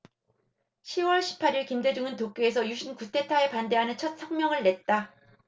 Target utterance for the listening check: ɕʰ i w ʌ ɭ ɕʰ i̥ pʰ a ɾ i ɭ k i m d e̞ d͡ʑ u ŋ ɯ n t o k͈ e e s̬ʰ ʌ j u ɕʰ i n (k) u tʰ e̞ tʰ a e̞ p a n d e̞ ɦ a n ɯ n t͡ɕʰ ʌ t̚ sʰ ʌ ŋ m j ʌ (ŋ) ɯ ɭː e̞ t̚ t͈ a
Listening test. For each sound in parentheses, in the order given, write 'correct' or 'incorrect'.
correct, correct

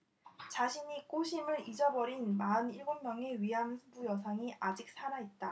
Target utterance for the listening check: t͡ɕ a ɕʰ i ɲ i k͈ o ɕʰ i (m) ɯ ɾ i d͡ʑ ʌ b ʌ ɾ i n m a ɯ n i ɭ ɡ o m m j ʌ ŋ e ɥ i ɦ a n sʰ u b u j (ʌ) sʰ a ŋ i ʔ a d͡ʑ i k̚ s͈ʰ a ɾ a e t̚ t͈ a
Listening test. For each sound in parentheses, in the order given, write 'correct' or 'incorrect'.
correct, correct

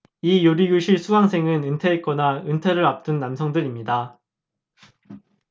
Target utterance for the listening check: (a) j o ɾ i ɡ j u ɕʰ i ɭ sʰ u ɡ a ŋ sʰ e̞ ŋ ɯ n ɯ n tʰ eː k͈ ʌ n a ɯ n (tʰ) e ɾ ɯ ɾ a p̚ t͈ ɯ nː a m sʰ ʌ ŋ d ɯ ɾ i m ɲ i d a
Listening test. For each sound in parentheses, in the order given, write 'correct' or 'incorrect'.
incorrect, correct

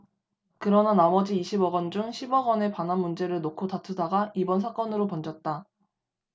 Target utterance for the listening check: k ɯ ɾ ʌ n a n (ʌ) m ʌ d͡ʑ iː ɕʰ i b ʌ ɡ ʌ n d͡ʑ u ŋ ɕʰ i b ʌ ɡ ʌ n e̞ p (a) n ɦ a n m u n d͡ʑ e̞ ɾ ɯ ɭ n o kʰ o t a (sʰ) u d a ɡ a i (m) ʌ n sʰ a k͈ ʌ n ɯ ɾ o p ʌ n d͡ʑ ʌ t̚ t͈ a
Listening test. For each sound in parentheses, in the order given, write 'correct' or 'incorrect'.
incorrect, correct, incorrect, incorrect

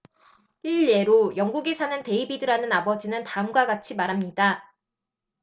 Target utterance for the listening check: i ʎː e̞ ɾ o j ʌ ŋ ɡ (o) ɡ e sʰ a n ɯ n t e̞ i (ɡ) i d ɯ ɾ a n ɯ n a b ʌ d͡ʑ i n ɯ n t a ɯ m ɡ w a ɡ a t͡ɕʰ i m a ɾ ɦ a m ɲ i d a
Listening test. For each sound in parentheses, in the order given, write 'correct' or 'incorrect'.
incorrect, incorrect

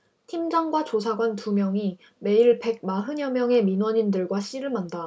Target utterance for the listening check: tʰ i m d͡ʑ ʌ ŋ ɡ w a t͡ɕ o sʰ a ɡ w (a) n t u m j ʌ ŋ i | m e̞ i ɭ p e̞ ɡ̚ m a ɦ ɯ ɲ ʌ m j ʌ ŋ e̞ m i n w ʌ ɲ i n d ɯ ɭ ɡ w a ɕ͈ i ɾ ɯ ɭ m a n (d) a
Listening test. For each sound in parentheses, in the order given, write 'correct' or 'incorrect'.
correct, correct

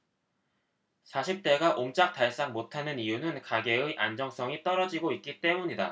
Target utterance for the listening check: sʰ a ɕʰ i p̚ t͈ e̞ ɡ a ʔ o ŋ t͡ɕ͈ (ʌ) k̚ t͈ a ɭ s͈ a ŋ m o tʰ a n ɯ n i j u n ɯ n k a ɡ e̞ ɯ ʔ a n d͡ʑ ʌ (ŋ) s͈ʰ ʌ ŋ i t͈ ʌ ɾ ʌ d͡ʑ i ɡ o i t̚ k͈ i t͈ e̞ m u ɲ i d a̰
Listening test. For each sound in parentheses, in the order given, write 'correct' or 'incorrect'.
incorrect, correct

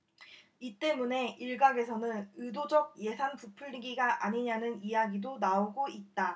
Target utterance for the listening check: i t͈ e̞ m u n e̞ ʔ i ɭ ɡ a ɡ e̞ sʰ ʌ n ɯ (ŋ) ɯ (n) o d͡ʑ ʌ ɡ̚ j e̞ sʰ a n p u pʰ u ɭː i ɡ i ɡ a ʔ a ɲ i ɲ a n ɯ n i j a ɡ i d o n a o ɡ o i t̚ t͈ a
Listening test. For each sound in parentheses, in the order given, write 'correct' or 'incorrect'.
incorrect, incorrect

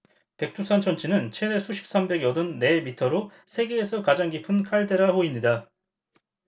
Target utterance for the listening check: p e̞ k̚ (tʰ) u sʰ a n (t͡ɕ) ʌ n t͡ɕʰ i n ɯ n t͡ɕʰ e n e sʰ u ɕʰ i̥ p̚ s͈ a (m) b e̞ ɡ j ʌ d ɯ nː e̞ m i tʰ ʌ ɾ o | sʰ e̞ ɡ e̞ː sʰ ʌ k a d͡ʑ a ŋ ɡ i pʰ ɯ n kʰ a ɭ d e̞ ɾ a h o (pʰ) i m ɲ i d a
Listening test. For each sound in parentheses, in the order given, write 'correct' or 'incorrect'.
correct, incorrect, correct, incorrect

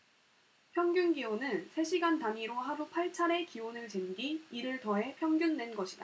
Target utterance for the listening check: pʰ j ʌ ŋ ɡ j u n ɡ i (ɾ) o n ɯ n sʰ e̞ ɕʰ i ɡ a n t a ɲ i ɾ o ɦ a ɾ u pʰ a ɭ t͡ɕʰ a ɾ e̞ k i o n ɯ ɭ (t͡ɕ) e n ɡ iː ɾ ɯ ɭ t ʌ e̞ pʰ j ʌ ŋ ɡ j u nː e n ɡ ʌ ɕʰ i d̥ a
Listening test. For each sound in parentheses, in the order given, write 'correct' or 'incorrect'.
incorrect, correct

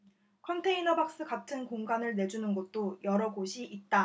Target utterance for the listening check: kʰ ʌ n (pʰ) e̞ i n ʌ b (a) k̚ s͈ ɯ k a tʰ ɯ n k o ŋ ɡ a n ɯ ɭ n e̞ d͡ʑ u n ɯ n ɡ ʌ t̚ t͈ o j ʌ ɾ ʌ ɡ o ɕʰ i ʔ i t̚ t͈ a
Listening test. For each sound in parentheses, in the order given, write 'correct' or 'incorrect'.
incorrect, correct

